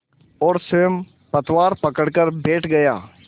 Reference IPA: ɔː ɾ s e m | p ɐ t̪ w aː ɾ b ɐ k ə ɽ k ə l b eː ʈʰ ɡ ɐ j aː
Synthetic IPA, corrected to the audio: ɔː ɾ s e m | p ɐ t̪ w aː ɾ p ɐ k ə ɽ k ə ɾ b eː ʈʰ ɡ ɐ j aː